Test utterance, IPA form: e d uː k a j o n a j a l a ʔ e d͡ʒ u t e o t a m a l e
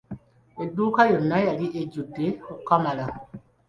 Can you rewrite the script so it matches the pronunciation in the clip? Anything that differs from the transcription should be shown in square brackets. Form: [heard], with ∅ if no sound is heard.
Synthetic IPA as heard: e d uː k a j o n a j a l [i] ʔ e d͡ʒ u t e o [k] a m a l [a]